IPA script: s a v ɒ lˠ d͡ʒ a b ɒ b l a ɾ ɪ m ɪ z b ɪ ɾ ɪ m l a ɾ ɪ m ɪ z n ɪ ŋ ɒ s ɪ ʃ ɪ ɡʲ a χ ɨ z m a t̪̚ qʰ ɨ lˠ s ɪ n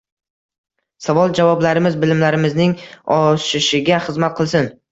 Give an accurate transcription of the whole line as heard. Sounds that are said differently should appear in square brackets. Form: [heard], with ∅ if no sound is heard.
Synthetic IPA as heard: s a v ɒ lˠ d͡ʒ a [v] ɒ b l a ɾ ɪ m ɪ z b ɪ [l] ɪ m l a ɾ ɪ m ɪ z n ɪ ŋ ɒ [ʃ] ɪ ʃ ɪ ɡʲ a χ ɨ z m a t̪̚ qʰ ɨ lˠ s ɪ n

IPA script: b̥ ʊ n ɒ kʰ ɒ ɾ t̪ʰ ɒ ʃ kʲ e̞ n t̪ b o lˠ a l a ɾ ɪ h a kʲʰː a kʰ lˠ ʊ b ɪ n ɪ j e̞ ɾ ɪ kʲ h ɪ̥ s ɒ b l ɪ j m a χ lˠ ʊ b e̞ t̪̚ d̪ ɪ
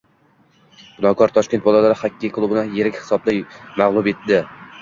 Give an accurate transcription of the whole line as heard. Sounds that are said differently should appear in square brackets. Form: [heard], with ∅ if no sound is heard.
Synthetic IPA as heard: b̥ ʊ n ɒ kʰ ɒ ɾ t̪ʰ ɒ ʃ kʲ e̞ n t̪ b [ɒ] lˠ a l a ɾ ɪ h a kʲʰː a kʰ lˠ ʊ b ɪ n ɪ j e̞ ɾ ɪ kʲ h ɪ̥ s ɒ b l ɪ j m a [ʁ] lˠ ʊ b e̞ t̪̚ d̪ ɪ

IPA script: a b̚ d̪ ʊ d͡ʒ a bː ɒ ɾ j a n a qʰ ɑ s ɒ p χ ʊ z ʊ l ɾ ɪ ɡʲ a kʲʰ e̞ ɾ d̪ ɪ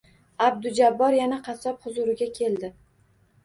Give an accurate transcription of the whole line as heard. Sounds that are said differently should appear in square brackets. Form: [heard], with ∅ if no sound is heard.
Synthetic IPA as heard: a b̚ d̪ ʊ d͡ʒ a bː ɒ ɾ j a n a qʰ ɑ s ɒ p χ ʊ z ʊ [∅] ɾ ɪ ɡʲ a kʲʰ e̞ [l] d̪ ɪ

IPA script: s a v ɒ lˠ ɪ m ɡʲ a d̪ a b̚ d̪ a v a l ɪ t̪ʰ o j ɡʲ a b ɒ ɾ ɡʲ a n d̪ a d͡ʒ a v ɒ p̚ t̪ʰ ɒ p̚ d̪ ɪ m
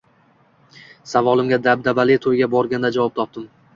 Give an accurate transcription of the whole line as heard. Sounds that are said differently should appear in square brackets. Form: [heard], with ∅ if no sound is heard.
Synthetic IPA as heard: s a v ɒ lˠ ɪ m ɡʲ a d̪ a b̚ d̪ a [b] a l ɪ t̪ʰ o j ɡʲ a b ɒ ɾ ɡʲ a n d̪ a d͡ʒ a v ɒ p̚ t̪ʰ ɒ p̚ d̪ ɪ m

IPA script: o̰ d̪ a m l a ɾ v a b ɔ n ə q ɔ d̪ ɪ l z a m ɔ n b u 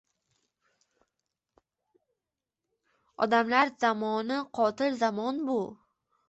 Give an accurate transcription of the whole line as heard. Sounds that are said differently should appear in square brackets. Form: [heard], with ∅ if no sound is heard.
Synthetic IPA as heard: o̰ d̪ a m l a ɾ [z] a [m] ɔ n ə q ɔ [t̪] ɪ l z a m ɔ n b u

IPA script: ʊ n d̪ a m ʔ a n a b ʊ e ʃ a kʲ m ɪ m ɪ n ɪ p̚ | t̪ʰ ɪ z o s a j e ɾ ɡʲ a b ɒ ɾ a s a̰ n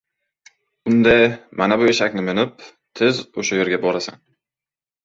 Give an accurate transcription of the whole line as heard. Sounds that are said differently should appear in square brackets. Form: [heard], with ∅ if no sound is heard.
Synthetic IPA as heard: ʊ n d̪ a m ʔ a n a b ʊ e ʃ a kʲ [n] ɪ m ɪ n ɪ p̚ | t̪ʰ ɪ z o [ʃ] a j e ɾ ɡʲ a b ɒ ɾ a s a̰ n

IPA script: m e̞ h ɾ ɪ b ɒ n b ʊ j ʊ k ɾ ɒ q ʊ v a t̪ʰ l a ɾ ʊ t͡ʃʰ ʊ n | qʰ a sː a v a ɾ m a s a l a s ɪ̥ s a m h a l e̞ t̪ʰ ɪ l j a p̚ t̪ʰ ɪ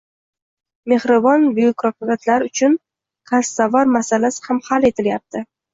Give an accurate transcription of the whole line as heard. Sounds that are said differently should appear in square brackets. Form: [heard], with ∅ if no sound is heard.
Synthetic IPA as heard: m e̞ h ɾ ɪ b ɒ n b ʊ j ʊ k ɾ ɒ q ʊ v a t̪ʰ l a ɾ ʊ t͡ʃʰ ʊ n | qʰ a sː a v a ɾ m a s a l a s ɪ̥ [h] a m h a l e̞ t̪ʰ ɪ l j a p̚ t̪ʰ ɪ

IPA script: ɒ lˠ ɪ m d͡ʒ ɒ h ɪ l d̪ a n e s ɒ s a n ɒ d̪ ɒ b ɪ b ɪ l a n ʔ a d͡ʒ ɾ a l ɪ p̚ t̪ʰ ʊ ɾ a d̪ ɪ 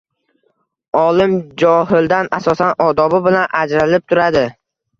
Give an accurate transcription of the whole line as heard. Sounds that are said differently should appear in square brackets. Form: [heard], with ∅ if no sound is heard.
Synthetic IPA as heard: ɒ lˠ ɪ m d͡ʒ ɒ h ɪ l d̪ a n [a] s ɒ s a n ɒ d̪ ɒ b ɪ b ɪ l a n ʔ a d͡ʒ ɾ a l ɪ p̚ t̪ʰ ʊ ɾ a d̪ ɪ

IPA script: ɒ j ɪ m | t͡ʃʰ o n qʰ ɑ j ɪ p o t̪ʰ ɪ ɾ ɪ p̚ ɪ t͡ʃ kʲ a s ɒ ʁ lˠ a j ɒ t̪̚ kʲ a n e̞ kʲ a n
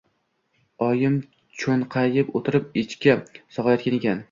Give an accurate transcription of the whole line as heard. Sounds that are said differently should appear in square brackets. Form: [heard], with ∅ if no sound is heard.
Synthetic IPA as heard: ɒ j ɪ m | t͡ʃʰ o n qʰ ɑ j ɪ p o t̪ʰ ɪ ɾ ɪ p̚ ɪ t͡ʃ kʲ a s ɒ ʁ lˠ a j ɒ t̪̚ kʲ a n e̞ kʲ a n

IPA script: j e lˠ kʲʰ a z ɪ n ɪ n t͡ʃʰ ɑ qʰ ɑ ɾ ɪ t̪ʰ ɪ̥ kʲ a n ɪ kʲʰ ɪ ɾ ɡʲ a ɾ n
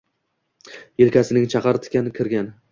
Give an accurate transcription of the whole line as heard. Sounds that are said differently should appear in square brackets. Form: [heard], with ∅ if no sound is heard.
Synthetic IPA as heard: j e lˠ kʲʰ a [s] ɪ n ɪ [ŋ] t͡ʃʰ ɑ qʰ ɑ ɾ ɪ t̪ʰ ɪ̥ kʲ a n ɪ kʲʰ ɪ ɾ ɡʲ a [∅] n

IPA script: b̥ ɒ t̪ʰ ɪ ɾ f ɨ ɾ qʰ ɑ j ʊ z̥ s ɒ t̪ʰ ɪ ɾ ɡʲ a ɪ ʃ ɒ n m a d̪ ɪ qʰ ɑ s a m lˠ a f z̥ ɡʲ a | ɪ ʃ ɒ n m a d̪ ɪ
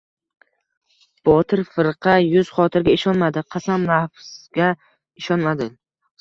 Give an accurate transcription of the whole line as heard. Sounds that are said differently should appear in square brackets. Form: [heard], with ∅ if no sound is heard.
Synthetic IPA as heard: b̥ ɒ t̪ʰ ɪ ɾ f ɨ ɾ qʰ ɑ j ʊ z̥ [χ] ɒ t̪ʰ ɪ ɾ ɡʲ a ɪ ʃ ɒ n m a d̪ ɪ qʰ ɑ s a m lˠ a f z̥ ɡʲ a | ɪ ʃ ɒ n m a d̪ ɪ

